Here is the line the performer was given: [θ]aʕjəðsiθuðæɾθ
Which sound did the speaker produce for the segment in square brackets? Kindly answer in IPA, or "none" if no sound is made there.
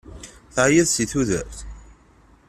θ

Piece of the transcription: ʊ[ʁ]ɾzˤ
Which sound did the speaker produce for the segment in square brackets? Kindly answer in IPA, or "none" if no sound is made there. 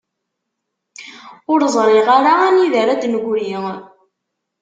none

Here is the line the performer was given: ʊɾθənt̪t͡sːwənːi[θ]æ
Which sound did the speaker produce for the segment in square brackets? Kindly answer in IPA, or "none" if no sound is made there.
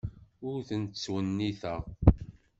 θ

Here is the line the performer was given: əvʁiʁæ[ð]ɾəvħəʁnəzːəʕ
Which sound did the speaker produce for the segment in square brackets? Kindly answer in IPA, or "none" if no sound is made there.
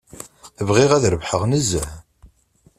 ð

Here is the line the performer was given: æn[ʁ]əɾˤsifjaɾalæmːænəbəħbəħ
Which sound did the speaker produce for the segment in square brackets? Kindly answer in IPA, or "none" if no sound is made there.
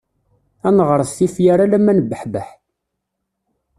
ʁ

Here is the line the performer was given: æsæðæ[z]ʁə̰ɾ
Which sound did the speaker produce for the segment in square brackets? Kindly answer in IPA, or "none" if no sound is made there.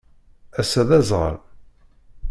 z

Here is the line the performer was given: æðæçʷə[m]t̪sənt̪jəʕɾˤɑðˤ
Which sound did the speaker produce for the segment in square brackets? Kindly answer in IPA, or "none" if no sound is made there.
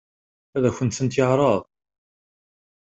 n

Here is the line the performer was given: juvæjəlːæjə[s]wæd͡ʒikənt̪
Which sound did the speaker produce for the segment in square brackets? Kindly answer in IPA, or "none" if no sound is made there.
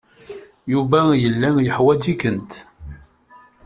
ħ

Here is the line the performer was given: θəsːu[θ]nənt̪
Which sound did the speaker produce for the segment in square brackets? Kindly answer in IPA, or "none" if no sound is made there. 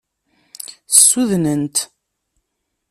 ð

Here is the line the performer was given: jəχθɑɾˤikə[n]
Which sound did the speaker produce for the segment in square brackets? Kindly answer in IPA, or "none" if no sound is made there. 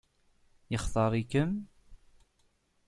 m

